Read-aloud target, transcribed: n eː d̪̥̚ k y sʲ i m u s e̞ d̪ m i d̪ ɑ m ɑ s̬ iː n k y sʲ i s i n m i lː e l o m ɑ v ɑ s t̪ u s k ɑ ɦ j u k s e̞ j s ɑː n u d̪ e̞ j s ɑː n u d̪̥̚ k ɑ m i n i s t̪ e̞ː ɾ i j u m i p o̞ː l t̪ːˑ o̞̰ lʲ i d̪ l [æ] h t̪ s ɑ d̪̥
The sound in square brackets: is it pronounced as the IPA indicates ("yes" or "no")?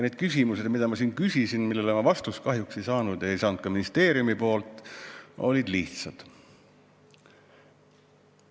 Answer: no